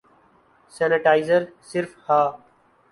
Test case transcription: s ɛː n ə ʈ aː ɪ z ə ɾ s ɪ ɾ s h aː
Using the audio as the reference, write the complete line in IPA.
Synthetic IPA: s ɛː n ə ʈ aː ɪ z ə ɾ s ɪ ɾ f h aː

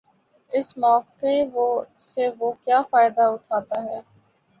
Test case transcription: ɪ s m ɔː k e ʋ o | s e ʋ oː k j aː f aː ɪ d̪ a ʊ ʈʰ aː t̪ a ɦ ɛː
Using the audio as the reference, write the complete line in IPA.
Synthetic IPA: ɪ s m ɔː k e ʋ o | s e ʋ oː k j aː f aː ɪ d̪ a ʊ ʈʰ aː t̪ a ɦ ɛː

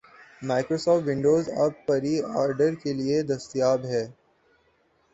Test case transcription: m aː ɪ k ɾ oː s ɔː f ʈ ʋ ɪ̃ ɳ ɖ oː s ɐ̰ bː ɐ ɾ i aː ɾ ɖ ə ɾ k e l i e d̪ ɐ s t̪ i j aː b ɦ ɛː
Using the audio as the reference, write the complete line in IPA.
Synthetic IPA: m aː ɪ k ɾ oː s ɔː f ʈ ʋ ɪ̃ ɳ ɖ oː z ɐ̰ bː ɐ ɾ i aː ɾ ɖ ə ɾ k e l i e d̪ ɐ s t̪ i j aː b ɦ ɛː

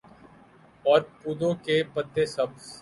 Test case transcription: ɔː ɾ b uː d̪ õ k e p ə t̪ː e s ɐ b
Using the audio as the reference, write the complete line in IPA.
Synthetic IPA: ɔː ɾ p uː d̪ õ k e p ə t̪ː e s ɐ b

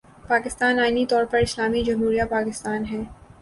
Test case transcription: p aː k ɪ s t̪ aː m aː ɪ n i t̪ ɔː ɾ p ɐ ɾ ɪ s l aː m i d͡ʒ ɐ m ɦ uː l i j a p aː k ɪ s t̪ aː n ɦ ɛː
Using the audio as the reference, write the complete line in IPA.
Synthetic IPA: p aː k ɪ s t̪ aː n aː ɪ n i t̪ ɔː ɾ p ɐ ɾ ɪ s l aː m i d͡ʒ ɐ m ɦ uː ɾ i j a p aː k ɪ s t̪ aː n ɦ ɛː

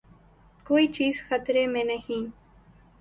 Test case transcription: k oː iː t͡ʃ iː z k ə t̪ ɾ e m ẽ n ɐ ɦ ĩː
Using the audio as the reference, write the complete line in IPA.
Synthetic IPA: k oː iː t͡ʃ iː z x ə t̪ ɾ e m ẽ n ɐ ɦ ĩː

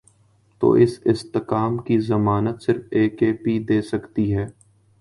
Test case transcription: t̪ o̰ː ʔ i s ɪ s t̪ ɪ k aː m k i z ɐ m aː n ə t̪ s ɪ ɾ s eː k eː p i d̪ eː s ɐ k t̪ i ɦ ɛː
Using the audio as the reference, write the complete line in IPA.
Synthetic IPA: t̪ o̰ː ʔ ɪ s ɪ s t̪ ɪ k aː m k i z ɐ m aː n ə t̪ s ɪ ɾ f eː k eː p i d̪ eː s ɐ k t̪ i ɦ ɛː

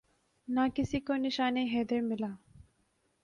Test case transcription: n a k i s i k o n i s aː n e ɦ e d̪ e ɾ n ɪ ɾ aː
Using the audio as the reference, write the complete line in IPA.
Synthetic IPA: n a k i s i k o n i ʃ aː n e ɦ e d̪ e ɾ m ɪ l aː

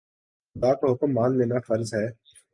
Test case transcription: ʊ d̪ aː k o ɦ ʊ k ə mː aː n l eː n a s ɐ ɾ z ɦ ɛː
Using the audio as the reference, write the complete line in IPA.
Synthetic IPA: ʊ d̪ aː k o ɦ ʊ k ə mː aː n l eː n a f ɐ ɾ z ɦ ɛː

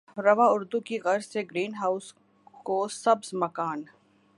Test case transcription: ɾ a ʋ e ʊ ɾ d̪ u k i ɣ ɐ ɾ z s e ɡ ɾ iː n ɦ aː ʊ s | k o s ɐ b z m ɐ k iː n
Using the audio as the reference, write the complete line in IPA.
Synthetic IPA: ɾ ɐ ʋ a ʊ ɾ d̪ u k i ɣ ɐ ɾ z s e ɡ ɾ iː n ɦ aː ʊ s | k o s ɐ b z m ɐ k aː n

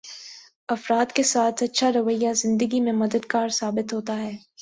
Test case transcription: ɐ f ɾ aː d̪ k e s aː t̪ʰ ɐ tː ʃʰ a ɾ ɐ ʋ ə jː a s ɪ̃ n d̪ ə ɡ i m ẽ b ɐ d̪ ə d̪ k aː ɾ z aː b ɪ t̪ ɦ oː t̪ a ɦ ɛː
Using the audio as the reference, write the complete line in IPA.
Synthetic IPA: ɐ f ɾ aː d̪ k e s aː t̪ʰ ɐ tː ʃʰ a ɾ ɐ ʋ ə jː a z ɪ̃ n d̪ ə ɡ i m ẽ m ɐ d̪ ə d̪ k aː ɾ s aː b ɪ t̪ ɦ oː t̪ a ɦ ɛː

